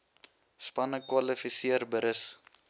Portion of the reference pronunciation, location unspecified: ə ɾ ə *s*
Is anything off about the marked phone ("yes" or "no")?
no